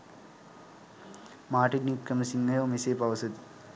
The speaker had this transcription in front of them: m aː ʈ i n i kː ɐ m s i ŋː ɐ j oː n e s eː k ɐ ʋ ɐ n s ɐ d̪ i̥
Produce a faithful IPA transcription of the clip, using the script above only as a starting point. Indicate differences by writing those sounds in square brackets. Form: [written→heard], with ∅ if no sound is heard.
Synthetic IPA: m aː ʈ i n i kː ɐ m s i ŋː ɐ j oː [n→m] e s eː [k→p] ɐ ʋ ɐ [n→∅] s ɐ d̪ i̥